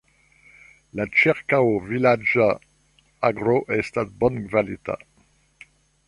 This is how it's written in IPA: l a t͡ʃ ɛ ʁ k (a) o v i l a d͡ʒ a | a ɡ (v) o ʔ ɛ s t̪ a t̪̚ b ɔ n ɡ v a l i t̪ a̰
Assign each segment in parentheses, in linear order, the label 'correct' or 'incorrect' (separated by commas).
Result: correct, incorrect